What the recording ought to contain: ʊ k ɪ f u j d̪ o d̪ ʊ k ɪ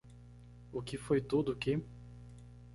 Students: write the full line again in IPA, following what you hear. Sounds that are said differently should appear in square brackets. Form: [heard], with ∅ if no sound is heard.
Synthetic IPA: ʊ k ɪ f [o] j [t̪] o d̪ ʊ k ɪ